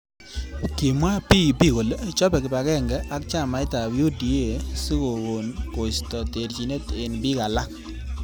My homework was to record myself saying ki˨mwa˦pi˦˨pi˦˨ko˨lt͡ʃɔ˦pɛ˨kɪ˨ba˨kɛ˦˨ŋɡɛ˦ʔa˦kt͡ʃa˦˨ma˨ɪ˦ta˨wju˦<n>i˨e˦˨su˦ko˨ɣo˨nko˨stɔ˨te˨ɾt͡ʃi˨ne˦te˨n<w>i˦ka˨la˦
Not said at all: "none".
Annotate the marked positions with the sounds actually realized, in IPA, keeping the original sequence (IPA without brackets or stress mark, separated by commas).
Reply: d, b